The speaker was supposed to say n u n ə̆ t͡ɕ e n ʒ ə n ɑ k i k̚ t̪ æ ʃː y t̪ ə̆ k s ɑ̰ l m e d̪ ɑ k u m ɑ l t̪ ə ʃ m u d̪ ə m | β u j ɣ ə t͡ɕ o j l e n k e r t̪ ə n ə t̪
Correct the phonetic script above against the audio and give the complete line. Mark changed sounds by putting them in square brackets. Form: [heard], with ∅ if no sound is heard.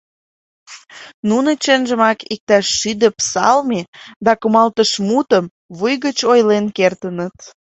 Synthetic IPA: n u n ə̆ t͡ɕ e n ʒ ə [m] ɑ k i k̚ t̪ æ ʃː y [d̪] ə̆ [p] s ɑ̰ l m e d̪ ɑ k u m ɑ l t̪ ə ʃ m u [t̪] ə m | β u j ɣ ə t͡ɕ o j l e n k e r t̪ ə n ə t̪